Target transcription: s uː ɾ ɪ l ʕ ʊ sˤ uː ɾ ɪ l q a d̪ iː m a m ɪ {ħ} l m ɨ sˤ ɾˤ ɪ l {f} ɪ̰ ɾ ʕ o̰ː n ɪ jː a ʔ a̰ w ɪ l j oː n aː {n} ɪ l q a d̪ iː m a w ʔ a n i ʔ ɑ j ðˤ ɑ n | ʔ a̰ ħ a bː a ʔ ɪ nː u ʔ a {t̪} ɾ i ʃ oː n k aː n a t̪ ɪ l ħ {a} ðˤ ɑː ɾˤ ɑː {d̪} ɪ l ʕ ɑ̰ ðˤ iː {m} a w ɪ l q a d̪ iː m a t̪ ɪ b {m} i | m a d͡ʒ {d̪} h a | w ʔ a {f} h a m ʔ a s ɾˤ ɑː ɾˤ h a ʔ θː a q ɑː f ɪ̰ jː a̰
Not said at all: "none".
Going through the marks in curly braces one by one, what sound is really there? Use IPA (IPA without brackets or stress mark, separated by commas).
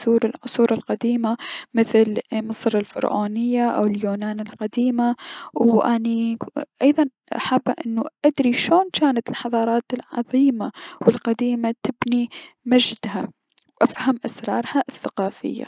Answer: θ, f, n, d̪, ɑ, t̪, m, n, d̪, f